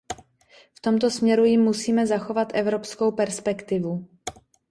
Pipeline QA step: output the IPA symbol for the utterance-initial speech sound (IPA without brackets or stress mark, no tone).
f